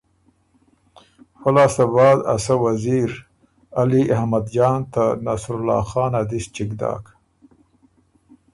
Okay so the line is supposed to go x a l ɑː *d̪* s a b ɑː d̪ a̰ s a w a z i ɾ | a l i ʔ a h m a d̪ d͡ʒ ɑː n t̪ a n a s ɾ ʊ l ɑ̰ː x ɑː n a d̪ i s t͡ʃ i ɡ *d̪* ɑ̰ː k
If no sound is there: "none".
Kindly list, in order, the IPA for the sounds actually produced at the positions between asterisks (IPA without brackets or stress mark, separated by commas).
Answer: none, d̪